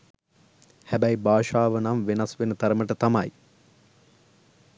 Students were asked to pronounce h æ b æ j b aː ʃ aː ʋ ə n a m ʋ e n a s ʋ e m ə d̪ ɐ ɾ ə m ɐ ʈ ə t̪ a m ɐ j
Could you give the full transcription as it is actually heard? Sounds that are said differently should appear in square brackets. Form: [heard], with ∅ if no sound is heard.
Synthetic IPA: h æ b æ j b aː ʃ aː ʋ ə n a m ʋ e n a s ʋ e [n] ə [t̪] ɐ ɾ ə m [ə] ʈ ə t̪ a m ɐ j